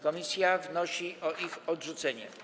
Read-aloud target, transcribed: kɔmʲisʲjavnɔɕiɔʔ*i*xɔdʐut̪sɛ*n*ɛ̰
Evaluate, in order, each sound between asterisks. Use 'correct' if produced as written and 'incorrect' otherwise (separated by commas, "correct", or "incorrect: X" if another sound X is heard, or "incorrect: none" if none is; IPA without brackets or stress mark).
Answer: correct, incorrect: ɲ